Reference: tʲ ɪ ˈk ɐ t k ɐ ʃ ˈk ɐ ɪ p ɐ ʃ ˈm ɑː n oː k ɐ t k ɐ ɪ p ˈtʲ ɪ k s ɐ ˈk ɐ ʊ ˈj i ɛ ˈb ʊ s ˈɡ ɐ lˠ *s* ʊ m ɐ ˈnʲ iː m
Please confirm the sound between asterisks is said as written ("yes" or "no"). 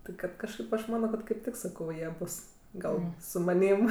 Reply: yes